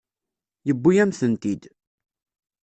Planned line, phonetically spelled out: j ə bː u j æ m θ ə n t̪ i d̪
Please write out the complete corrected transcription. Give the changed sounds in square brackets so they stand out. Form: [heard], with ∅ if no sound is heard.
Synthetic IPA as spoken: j ə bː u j æ m θ ə n t̪ i d̪